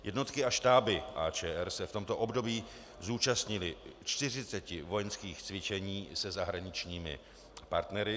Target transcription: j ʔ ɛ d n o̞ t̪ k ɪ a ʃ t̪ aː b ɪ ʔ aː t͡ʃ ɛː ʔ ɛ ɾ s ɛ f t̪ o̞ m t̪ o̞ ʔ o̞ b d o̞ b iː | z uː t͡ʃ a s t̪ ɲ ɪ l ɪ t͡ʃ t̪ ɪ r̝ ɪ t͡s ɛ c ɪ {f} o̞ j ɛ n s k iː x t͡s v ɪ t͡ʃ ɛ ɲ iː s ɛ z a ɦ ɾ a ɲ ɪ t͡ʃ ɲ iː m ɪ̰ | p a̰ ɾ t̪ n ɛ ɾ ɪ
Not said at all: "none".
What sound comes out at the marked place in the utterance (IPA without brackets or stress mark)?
v